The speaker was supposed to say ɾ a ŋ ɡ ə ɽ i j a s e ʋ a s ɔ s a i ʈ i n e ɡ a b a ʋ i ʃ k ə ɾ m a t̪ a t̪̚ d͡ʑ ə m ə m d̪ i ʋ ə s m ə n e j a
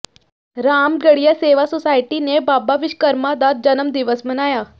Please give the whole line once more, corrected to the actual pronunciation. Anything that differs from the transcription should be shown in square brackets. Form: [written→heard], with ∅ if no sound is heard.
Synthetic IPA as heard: ɾ a [ŋ→m] ɡ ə ɽ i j a s e ʋ a s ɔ s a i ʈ i n e [ɡ→b] a b a ʋ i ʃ k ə ɾ m a [t̪→d̪] a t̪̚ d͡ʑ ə [m→n] ə m d̪ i ʋ ə s m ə n [e→a] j a